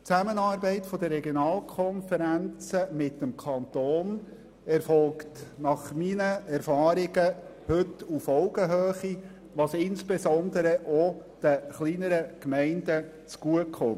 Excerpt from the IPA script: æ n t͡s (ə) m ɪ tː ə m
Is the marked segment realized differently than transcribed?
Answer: no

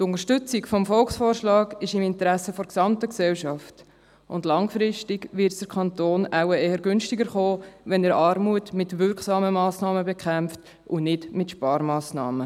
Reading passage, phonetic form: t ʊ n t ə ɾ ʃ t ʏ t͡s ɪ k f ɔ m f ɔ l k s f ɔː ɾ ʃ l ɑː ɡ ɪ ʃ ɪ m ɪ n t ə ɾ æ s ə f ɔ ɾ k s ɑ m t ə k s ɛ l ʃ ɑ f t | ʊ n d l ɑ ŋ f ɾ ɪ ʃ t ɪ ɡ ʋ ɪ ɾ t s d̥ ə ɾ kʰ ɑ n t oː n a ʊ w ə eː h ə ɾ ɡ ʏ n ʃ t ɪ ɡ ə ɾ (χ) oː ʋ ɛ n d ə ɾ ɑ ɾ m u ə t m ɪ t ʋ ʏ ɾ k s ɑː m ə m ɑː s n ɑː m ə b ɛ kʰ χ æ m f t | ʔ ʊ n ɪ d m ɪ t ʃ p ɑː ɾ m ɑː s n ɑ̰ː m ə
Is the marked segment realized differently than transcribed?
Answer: no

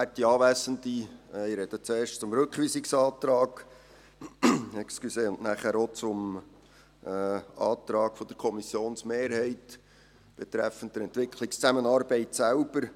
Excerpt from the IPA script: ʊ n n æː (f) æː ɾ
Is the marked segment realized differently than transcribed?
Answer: yes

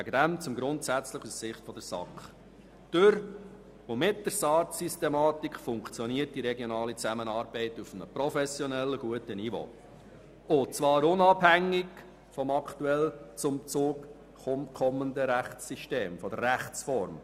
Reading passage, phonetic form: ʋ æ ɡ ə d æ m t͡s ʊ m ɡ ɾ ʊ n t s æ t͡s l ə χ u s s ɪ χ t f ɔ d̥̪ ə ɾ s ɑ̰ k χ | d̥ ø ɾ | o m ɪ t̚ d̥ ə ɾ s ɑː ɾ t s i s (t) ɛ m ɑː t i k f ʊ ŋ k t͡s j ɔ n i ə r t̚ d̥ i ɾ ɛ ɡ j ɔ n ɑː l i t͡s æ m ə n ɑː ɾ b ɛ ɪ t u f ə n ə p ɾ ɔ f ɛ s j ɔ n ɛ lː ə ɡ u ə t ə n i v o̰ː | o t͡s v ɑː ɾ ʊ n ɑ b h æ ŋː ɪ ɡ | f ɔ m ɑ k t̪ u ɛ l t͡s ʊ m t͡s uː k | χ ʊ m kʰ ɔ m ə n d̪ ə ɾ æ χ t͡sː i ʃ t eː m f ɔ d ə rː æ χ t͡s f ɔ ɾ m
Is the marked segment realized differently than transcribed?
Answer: no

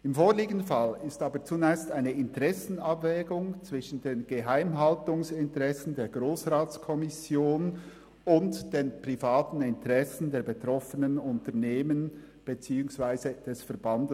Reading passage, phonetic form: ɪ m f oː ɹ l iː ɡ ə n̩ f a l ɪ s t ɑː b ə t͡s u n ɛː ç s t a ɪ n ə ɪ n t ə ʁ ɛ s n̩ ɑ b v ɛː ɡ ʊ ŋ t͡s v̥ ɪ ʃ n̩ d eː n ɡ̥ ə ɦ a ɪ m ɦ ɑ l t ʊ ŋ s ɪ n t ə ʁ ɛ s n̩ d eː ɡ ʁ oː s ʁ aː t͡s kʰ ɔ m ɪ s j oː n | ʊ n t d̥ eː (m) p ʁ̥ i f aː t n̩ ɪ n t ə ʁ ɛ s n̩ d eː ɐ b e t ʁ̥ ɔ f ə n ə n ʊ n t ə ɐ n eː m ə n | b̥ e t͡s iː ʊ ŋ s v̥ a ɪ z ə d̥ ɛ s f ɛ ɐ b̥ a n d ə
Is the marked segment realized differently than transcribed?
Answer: yes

